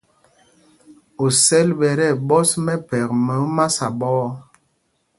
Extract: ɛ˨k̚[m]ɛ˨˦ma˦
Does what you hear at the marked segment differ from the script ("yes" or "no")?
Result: no